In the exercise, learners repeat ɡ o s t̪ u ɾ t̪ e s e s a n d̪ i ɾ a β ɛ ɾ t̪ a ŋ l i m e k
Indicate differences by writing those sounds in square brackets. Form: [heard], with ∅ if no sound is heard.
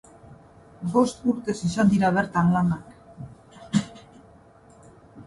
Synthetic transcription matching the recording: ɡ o s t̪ u ɾ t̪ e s [i] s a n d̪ i ɾ a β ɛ ɾ t̪ a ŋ l [a] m [a] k